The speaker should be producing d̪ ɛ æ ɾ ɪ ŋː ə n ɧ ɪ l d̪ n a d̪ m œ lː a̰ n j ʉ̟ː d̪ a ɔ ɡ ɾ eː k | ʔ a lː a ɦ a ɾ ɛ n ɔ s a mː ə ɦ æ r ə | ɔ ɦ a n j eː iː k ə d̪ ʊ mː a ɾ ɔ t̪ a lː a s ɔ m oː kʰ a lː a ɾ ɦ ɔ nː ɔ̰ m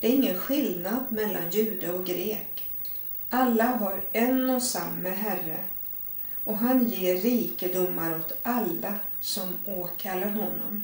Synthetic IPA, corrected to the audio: d̪ ɛ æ ɾ ɪ ŋː ə n ɧ ɪ l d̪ n a d̪ m ɛ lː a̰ n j ʉ̟ː d̪ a ɔ ɡ ɾ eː k | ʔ a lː a ɦ a ɾ ɛ n ɔ s a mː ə ɦ æ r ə | ɔ ɦ a n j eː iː k ə d̪ ʊ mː a ɾ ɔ t̪ a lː a s ɔ m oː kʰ a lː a ɾ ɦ ɔ nː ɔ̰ m